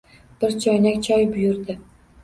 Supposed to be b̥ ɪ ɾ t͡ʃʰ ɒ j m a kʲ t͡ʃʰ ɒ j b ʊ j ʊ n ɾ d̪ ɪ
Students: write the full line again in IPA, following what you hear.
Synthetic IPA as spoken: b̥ ɪ ɾ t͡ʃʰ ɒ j n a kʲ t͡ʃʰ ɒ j b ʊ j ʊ ɾ d̪ ɪ